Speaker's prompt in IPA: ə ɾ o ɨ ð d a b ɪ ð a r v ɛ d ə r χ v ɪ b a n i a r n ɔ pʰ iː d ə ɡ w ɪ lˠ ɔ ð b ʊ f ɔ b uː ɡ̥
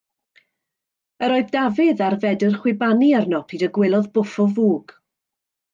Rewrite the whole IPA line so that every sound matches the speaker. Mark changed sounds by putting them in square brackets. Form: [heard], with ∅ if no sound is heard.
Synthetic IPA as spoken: ə ɾ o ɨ ð d a [v] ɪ ð a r v ɛ d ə r χ [w] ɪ b a n i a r n ɔ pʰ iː d ə ɡ w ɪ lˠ ɔ ð b ʊ f ɔ [v] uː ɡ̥